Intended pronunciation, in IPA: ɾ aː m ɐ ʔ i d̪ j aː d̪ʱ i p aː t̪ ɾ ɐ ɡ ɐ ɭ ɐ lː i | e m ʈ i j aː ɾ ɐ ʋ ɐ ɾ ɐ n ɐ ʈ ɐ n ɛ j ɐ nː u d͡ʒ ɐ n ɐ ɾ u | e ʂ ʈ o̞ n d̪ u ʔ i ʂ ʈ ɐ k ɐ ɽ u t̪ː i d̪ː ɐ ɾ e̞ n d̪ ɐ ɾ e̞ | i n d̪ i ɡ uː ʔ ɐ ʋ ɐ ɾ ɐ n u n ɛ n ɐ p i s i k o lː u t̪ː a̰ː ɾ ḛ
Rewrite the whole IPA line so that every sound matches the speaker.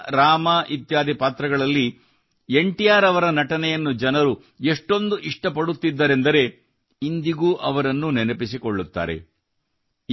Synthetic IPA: ɾ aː m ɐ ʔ i t̪ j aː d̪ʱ i p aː t̪ ɾ ɐ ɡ ɐ ɭ ɐ lː i | e ɳ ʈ i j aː ɾ ɐ ʋ ɐ ɾ ɐ n ɐ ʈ ɐ n ɛ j ɐ nː u d͡ʒ ɐ n ɐ ɾ u | e ʂ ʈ o̞ n d̪ u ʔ i ʂ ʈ ɐ p ɐ ɽ u t̪ː i d̪ː ɐ ɾ e̞ n d̪ ɐ ɾ e̞ | i n d̪ i ɡ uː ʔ ɐ ʋ ɐ ɾ ɐ nː u n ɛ n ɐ p i s i k o ɭː u t̪ː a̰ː ɾ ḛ